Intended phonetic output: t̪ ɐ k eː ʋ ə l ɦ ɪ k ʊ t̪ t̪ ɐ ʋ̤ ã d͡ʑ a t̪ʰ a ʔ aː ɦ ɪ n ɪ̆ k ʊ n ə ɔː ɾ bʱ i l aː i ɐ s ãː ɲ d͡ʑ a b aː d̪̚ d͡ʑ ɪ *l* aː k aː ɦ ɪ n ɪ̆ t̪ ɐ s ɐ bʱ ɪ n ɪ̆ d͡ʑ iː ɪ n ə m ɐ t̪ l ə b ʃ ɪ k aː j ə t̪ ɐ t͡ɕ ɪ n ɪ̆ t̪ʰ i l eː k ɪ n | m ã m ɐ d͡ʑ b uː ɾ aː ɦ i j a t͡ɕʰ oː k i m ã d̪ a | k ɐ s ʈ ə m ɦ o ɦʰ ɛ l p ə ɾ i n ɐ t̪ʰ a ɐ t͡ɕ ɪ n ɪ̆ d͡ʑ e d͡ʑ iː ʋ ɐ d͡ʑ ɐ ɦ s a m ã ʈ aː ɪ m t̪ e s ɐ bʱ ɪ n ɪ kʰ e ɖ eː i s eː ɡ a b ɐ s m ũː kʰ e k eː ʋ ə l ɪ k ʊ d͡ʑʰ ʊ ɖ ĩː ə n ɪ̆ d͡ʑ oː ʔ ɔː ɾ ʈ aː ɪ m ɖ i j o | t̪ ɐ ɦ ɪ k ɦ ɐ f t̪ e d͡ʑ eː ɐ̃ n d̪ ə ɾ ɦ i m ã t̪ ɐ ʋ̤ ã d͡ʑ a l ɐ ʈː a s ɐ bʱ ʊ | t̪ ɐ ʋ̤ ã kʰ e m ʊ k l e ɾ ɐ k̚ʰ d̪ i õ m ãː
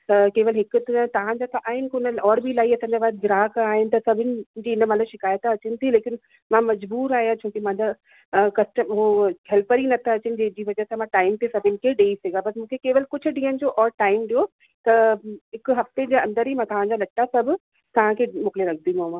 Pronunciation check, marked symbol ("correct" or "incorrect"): incorrect